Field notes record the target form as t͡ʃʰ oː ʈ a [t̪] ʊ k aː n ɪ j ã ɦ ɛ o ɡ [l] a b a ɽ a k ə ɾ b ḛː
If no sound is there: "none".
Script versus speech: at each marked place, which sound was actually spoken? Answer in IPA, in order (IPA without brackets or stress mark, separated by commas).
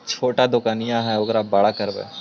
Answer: d̪, ɾ